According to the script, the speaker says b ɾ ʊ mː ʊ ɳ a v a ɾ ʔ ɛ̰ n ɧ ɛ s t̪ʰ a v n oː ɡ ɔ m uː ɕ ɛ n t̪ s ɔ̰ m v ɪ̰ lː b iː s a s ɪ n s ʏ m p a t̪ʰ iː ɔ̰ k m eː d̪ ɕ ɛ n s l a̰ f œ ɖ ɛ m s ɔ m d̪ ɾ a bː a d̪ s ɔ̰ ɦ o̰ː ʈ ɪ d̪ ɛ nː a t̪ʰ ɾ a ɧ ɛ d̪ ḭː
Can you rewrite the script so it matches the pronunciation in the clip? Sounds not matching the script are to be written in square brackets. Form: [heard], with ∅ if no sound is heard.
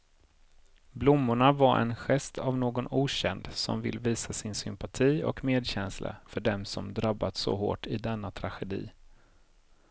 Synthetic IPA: b [l] ʊ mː ʊ ɳ a v a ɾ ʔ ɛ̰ n ɧ ɛ s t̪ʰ a v n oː ɡ ɔ [n] uː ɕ ɛ n [d̪] s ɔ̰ m v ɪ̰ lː [v] iː s a s ɪ n s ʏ m p a t̪ʰ iː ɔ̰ k m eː d̪ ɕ ɛ n s l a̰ f œ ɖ ɛ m s ɔ m d̪ ɾ a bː a [t̪] s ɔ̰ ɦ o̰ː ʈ ɪ d̪ ɛ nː a t̪ʰ ɾ a ɧ ɛ d̪ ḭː